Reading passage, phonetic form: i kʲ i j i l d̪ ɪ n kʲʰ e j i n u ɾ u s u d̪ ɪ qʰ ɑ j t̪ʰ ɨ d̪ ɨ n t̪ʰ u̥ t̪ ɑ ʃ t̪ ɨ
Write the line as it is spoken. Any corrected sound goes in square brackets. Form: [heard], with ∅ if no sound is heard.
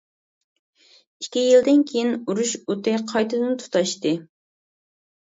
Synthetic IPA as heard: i kʲ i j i l d̪ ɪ n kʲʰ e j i n u ɾ u [ʃ] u [t̪] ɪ qʰ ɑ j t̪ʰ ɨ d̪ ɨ n t̪ʰ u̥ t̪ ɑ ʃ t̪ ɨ